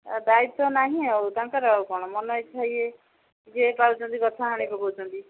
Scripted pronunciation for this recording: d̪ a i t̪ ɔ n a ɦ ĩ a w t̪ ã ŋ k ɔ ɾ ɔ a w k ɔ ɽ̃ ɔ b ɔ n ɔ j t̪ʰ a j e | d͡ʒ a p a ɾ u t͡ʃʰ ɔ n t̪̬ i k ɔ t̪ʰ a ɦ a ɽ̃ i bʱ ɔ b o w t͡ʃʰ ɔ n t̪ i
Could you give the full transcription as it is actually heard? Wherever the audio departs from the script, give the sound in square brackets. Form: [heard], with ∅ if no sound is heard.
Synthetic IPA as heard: d̪ a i t̪ ɔ n a ɦ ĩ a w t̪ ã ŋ k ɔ ɾ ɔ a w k ɔ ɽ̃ ɔ [m] ɔ n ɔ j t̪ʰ a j e | d͡ʒ [e] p a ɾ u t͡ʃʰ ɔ n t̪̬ i k ɔ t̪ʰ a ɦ a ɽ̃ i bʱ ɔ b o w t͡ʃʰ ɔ n t̪ i

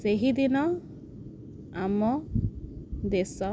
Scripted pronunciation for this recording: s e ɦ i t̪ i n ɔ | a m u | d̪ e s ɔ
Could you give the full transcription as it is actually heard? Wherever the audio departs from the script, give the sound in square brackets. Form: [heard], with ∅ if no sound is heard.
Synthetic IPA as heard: s e ɦ i [d̪] i n ɔ | a m [ɔ] | d̪ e s ɔ

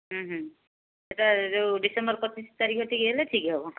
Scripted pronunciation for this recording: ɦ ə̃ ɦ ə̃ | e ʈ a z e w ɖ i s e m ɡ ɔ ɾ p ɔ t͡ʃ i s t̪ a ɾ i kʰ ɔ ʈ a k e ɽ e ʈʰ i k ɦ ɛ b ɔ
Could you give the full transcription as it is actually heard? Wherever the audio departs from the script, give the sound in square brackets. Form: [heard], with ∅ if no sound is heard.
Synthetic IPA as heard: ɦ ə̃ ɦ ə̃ | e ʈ a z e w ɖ i s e m [b] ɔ ɾ p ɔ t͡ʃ i s t̪ a ɾ i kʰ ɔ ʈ [i] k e [l] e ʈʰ i k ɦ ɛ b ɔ

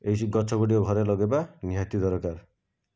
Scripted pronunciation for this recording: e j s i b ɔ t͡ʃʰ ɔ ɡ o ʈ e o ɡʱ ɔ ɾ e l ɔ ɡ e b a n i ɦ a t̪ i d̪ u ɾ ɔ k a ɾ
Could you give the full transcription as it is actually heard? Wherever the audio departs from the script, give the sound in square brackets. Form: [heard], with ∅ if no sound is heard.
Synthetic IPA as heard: e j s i [ɡ] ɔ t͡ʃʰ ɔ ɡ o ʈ [i] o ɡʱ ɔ ɾ e l ɔ ɡ e b a n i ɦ a t̪ i d̪ [ɔ] ɾ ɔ k a ɾ

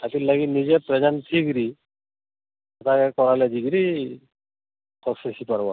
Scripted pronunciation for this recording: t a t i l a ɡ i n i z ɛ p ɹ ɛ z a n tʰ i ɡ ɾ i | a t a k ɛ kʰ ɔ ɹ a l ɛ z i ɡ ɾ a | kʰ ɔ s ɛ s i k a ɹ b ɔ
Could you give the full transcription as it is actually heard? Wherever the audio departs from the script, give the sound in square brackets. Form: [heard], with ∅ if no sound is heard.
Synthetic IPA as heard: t a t i l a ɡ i n i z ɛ p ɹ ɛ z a n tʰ i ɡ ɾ i | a t a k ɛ [k] ɔ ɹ a l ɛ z i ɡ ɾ [i] | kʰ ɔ s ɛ s i [p] a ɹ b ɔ

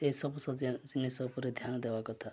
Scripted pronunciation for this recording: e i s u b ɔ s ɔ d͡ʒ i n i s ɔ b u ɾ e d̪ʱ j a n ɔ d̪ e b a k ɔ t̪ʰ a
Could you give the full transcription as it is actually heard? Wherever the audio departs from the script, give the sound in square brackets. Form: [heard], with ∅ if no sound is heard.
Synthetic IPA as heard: e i s [ɔ] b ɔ s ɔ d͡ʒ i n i s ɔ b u ɾ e d̪ʱ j a n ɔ d̪ e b a k ɔ t̪ʰ a

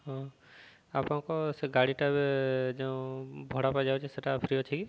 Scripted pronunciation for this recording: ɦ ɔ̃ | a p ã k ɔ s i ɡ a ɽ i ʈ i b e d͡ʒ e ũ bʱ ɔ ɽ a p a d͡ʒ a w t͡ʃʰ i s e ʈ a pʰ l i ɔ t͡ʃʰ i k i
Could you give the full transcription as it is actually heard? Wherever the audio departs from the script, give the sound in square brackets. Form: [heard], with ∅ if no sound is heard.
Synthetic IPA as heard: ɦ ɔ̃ | a p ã k ɔ s [e] ɡ a ɽ i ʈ [a] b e d͡ʒ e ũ bʱ ɔ ɽ a p a d͡ʒ a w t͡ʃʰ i s e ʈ a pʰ [ɾ] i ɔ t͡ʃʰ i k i

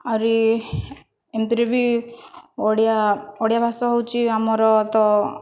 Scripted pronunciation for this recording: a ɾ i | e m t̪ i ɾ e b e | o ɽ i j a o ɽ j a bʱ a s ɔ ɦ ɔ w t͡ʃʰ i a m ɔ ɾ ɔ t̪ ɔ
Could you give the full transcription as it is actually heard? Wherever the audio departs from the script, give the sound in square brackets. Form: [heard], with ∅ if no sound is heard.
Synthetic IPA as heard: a ɾ i | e m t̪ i ɾ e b [i] | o ɽ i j a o ɽ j a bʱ a s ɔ ɦ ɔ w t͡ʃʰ i a m ɔ ɾ ɔ t̪ ɔ

